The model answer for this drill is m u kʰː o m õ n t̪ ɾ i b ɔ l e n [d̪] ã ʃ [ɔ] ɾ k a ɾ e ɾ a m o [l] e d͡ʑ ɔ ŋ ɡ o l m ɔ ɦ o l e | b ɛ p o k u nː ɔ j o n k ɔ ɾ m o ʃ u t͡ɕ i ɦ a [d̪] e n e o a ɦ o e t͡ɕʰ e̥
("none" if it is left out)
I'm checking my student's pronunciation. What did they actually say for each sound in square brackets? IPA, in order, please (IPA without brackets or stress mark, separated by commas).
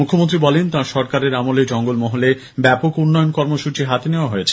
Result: t̪, ɔ, l, t̪